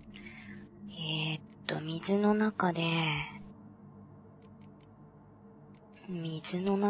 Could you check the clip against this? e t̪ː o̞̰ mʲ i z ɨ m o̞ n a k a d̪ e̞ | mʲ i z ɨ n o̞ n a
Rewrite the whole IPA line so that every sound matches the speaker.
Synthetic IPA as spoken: e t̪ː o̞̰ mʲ i z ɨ n o̞ n a k a d̪ e̞ | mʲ i z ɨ n o̞ n a

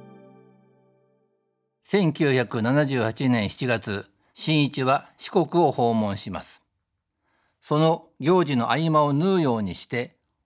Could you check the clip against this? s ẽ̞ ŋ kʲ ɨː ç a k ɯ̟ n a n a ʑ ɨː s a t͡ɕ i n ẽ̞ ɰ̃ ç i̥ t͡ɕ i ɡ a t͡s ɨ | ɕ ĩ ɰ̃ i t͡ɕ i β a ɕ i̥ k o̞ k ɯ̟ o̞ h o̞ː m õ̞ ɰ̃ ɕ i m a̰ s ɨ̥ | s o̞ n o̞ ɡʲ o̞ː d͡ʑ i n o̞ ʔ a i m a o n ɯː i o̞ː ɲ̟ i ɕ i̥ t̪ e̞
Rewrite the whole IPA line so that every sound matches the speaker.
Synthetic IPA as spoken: s ẽ̞ ŋ kʲ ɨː ç a k ɯ̟ n a n a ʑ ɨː h a t͡ɕ i n ẽ̞ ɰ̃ ç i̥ t͡ɕ i ɡ a t͡s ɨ | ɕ ĩ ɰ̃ i t͡ɕ i β a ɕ i̥ k o̞ k ɯ̟ o̞ h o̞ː m õ̞ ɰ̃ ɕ i m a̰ s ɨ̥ | s o̞ n o̞ ɡʲ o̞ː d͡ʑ i n o̞ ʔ a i m a o n ɯː j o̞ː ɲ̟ i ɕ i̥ t̪ e̞

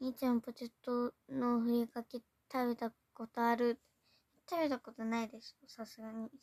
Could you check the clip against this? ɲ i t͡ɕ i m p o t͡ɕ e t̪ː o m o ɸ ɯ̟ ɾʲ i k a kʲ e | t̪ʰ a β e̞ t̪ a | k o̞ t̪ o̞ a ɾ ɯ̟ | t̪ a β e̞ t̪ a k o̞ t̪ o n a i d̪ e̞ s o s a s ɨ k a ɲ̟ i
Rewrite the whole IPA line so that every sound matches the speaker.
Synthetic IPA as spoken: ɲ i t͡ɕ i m p o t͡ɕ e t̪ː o n o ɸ ɯ̟ ɾʲ i k a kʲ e | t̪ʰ a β e̞ t̪ a | k o̞ t̪ o̞ a ɾ ɯ̟ | t̪ a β e̞ t̪ a k o̞ t̪ o n a i d̪ e̞ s o s a s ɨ ɡ a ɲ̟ i

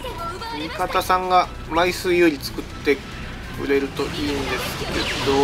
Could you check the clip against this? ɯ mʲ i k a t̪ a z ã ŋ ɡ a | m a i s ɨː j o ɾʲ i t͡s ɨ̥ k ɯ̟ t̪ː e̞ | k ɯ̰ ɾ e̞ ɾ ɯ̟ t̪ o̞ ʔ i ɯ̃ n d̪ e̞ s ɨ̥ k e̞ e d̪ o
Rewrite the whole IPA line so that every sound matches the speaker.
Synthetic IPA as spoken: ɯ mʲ i k a t̪ a s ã ŋ ɡ a | m a i s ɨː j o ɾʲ i t͡s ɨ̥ k ɯ̟ t̪ː e̞ | k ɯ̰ ɾ e̞ ɾ ɯ̟ t̪ o̞ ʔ i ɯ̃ n d̪ e̞ s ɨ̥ k e̞ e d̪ o

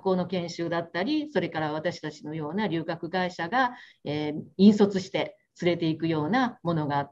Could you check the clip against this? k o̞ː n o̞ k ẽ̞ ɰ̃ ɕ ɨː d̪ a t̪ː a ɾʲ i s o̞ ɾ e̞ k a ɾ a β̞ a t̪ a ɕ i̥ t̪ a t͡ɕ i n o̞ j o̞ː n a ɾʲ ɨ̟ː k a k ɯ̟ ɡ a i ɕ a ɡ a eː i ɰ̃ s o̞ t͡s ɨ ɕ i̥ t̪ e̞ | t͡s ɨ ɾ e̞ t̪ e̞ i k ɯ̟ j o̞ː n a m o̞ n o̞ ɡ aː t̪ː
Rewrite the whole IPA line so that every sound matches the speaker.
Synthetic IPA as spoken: k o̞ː n o̞ k ẽ̞ ɰ̃ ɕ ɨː d̪ a t̪ː a ɾʲ i s o̞ ɾ e̞ k a ɾ a β̞ a t̪ a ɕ i̥ t̪ a t͡ɕ i n o̞ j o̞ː n a ɾʲ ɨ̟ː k a k ɯ̟ ɡ a i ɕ a ɡ a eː ĩ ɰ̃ s o̞ t͡s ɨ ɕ i̥ t̪ e̞ | t͡s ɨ ɾ e̞ t̪ e̞ i k ɯ̟ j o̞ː n a m o̞ n o̞ ɡ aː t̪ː

